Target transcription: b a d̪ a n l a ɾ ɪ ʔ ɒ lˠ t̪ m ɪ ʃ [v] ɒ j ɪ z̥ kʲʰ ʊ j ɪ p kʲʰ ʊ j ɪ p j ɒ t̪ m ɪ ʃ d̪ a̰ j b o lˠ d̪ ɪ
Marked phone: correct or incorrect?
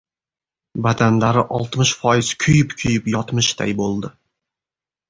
incorrect